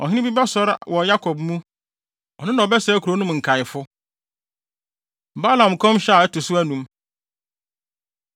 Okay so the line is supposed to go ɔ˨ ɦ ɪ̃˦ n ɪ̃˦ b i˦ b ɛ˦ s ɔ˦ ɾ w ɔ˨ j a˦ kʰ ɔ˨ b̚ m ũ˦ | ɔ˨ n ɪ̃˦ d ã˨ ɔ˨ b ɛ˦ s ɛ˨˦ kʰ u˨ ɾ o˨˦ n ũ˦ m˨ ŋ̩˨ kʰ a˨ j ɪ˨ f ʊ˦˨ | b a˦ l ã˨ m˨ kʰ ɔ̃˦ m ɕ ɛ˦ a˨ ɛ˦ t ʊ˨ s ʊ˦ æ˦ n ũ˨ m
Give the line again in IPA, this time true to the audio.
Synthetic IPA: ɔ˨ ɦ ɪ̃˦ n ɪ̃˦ b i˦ b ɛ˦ s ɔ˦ ɾ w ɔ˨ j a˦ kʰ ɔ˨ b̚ m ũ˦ | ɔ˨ n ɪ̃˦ n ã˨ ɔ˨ b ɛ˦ s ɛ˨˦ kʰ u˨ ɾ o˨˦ n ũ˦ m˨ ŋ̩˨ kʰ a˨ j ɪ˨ f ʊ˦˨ | b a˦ l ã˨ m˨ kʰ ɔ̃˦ m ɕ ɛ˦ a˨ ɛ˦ t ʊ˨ s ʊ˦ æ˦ n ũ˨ m